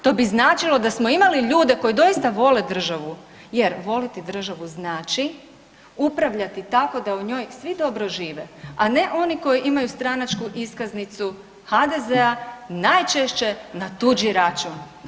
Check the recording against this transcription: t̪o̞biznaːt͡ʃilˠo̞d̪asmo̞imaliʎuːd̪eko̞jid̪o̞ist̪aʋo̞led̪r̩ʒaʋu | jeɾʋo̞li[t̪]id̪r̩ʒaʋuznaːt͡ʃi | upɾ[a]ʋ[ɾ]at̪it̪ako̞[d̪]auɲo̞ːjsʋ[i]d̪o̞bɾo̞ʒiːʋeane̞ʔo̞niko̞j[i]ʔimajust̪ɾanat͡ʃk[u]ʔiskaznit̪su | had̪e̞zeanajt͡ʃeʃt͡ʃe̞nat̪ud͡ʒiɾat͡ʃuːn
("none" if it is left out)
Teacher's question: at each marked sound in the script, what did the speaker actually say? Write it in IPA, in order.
t̪, a, ʎ, d̪, i, i, u

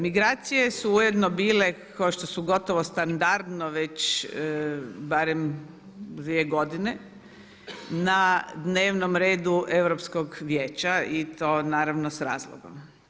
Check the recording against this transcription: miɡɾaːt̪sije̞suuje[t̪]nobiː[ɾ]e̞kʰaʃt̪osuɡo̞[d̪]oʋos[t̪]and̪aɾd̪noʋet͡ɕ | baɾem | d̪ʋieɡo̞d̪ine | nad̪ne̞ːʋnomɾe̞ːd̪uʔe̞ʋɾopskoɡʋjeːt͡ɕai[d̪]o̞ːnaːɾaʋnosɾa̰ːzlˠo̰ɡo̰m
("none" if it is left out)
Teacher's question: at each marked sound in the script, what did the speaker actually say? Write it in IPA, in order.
d̪, l, t̪, t̪, t̪

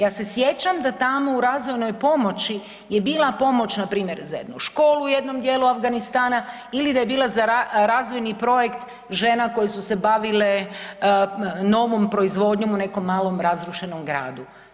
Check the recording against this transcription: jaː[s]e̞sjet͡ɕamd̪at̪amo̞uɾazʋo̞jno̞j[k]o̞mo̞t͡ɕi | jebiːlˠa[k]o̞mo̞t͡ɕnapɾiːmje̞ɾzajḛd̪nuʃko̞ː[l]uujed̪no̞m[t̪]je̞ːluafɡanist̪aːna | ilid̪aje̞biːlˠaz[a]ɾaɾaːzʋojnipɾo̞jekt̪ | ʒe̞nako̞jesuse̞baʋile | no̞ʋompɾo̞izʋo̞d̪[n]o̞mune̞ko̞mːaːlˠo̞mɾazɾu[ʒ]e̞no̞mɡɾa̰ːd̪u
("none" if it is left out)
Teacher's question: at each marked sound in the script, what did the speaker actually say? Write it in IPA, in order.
s, p, p, l, d̪, a, ɲ, ʃ

